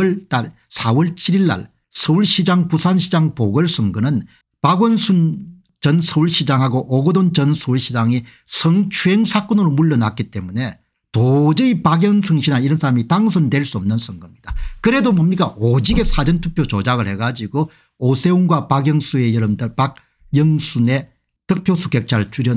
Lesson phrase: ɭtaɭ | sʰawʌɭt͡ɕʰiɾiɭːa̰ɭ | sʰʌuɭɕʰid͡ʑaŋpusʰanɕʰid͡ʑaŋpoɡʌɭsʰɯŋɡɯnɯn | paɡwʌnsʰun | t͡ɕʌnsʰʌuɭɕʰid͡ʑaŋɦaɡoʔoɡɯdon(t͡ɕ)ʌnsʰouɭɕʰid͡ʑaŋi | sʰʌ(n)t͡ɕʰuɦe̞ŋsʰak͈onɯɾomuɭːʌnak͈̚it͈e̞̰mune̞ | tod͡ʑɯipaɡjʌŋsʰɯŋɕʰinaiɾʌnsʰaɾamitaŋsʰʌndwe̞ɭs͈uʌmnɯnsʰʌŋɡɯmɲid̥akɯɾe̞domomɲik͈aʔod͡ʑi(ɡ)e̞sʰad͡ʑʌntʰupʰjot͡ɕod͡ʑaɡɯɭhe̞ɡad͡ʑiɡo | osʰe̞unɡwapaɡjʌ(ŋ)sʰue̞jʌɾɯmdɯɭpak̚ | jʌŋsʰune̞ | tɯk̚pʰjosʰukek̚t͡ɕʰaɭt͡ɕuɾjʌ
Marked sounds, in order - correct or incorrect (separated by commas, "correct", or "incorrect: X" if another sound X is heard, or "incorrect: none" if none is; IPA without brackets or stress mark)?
correct, incorrect: ŋ, correct, correct